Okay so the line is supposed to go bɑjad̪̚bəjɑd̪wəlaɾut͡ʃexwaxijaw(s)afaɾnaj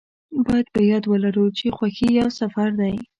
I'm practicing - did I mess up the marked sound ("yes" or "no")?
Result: no